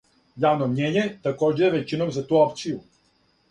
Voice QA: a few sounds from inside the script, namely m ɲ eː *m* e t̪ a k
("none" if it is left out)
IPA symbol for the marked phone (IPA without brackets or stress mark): ɲ